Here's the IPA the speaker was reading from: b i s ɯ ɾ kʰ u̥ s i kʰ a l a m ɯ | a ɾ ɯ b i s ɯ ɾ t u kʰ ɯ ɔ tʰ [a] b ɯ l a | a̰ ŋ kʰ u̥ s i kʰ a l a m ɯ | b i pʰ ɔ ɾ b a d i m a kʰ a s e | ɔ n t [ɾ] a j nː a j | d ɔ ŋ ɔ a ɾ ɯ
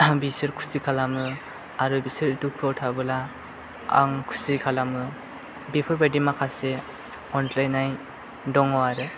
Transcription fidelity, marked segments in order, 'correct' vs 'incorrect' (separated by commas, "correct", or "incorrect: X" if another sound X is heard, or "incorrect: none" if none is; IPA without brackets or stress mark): correct, incorrect: l